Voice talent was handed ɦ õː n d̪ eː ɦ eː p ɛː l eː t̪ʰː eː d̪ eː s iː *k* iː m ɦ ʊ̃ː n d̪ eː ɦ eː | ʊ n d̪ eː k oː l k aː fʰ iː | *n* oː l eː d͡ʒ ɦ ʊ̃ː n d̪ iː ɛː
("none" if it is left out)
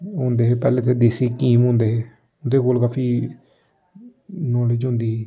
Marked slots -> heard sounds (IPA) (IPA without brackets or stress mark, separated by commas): k, n